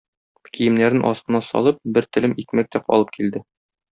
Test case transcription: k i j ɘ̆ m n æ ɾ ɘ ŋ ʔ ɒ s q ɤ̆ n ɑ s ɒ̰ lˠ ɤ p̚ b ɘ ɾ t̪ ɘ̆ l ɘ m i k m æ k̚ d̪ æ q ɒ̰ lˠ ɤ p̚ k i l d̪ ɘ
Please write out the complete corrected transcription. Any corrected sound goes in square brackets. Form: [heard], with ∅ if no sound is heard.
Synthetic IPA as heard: k i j ɘ̆ m n æ ɾ ɘ [n] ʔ ɒ s q ɤ̆ n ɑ s ɒ̰ lˠ ɤ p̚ b ɘ ɾ t̪ ɘ̆ l ɘ m i k m æ k̚ [t̪] æ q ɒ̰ lˠ ɤ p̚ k i l d̪ ɘ